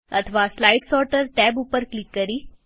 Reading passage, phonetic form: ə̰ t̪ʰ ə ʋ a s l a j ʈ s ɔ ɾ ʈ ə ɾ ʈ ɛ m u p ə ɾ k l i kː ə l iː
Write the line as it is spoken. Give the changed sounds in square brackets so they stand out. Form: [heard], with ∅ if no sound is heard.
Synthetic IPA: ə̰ t̪ʰ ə ʋ a s l a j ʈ s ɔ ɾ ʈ ə ɾ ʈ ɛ [b] u p ə ɾ k l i kː ə [ɾ] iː